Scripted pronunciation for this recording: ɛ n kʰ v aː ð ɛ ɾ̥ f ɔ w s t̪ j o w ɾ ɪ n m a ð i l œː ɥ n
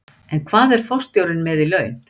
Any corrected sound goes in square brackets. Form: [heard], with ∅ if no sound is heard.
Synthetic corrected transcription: ɛ n kʰ v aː ð ɛ ɾ̥ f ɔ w s t̪ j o w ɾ ɪ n m [ɛ] ð i l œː ɥ n

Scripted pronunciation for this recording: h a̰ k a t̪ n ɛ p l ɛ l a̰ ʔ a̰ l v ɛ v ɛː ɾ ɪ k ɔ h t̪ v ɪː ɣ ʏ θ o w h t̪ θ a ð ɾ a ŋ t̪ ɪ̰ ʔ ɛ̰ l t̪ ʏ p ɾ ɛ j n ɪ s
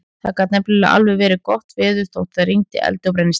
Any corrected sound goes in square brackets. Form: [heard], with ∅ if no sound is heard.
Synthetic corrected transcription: [θ] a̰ k a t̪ n ɛ p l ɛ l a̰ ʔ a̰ l v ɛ v ɛː ɾ ɪ k ɔ h t̪ v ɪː [ð] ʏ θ o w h t̪ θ a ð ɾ [i] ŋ t̪ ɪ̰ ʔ ɛ̰ l t̪ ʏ p ɾ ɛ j n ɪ s

